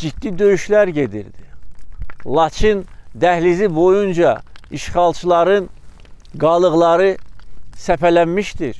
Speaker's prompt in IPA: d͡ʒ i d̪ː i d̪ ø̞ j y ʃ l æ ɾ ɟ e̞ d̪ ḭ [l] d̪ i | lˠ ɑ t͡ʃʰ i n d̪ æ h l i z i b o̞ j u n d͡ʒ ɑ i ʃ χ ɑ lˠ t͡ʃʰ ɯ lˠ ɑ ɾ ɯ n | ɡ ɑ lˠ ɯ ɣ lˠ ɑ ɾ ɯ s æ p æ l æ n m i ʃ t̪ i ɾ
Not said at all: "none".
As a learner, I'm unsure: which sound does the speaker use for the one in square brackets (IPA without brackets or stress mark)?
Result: ɾ